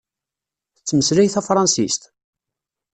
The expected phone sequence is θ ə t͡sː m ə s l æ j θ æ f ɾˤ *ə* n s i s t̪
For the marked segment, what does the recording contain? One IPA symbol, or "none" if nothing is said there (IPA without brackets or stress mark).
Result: ɑ